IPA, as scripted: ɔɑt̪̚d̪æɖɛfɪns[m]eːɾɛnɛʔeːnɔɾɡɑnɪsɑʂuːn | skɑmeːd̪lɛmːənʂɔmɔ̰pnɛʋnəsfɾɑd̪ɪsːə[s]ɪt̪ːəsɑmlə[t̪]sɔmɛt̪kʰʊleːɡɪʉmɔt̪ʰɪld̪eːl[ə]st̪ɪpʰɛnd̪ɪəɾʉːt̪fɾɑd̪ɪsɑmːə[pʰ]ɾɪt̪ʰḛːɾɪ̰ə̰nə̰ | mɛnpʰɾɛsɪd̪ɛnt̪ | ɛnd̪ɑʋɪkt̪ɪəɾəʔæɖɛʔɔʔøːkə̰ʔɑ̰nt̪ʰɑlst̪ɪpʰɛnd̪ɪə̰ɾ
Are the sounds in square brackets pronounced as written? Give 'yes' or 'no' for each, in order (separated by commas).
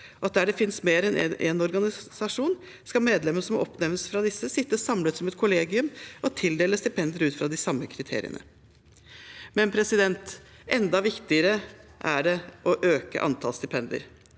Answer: yes, yes, yes, yes, no